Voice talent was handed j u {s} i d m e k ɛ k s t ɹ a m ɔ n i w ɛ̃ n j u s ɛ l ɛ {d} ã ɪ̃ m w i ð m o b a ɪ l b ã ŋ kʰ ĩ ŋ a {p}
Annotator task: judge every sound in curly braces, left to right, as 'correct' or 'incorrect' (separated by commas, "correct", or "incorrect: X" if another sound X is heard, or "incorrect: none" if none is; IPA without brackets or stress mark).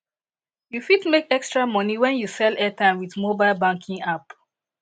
incorrect: f, incorrect: t, correct